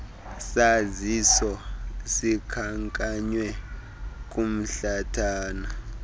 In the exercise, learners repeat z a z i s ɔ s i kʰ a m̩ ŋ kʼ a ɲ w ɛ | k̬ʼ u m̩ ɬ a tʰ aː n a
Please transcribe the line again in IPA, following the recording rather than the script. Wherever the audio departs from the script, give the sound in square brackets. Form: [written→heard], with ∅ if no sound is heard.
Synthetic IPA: [z→s] a z i s ɔ s i kʰ a [m̩→∅] ŋ kʼ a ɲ w ɛ | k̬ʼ u m̩ ɬ a tʰ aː n a